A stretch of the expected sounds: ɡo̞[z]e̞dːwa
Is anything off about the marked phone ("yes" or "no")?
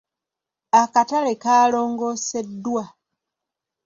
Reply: yes